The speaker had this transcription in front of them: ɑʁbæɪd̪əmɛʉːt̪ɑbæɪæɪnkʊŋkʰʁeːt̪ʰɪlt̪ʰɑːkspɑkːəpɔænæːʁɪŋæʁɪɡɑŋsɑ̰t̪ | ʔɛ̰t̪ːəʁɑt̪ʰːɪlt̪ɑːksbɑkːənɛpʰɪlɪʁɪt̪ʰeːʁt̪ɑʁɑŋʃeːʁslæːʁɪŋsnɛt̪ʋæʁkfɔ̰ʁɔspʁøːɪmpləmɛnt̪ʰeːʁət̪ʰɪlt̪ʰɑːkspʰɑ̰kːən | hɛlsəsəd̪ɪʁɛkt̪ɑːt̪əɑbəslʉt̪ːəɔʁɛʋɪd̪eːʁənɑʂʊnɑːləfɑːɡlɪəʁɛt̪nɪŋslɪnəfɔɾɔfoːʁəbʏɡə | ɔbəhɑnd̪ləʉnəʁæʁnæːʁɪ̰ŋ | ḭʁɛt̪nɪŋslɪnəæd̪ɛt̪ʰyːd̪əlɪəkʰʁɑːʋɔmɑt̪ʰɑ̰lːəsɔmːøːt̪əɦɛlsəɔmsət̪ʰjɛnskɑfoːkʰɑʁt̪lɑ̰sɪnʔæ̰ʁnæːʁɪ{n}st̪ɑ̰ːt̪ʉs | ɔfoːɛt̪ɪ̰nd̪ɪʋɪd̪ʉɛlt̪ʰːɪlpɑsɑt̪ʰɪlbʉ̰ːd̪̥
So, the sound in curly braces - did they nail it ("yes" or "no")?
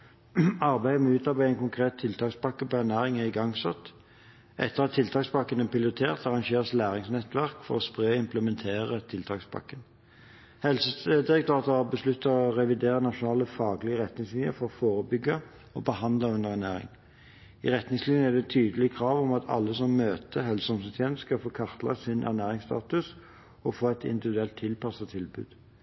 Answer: no